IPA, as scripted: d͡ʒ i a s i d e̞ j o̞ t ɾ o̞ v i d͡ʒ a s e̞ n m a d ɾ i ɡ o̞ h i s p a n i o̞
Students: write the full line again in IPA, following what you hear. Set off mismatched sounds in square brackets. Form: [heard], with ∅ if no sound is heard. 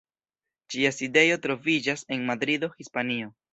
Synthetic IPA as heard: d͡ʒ i a s i d e̞ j o̞ t ɾ o̞ v i d͡ʒ a s e̞ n m a d ɾ i [d] o̞ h i s p a n i o̞